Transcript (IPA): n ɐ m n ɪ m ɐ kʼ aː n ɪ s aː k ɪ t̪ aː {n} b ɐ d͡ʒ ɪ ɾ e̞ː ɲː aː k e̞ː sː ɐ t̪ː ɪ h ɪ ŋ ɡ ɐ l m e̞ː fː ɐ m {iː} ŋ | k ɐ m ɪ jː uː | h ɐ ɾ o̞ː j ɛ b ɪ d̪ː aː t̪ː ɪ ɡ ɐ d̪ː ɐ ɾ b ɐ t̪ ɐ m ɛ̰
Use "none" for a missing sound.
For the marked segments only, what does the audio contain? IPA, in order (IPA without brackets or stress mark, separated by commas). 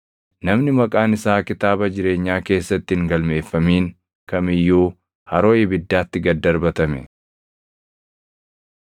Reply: none, iː